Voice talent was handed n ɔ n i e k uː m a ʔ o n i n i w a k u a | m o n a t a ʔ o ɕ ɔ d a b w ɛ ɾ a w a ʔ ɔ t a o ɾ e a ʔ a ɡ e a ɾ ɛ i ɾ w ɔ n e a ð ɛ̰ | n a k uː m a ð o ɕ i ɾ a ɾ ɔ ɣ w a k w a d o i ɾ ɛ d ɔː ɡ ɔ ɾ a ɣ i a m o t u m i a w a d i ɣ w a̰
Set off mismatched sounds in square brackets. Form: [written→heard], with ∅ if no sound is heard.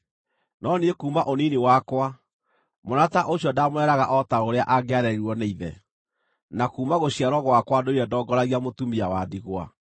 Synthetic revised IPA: n ɔ n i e k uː m a ʔ o n i n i w a k [u→w] a | m o n a t a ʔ o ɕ ɔ d a [b→m] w ɛ ɾ a [w→ɣ] a ʔ ɔ t a o ɾ e a ʔ a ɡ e a ɾ ɛ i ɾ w ɔ n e [a→i] ð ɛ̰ | n a k uː m a [ð→ɣ] o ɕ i [ɾ→∅] a ɾ ɔ ɣ w a k w a d o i ɾ ɛ d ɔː ɡ ɔ ɾ a ɣ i a m o t u m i a w a d i ɣ w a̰